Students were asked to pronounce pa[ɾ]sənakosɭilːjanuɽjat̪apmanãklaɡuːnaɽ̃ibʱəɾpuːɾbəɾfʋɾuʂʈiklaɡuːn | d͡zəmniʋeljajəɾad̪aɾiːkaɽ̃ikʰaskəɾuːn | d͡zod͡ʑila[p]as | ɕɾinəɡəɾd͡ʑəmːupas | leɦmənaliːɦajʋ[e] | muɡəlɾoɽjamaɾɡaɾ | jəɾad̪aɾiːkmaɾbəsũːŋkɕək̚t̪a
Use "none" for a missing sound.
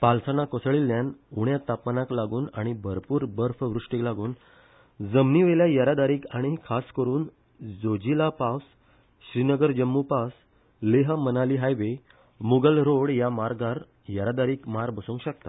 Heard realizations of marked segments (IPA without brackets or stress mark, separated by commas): l, p, e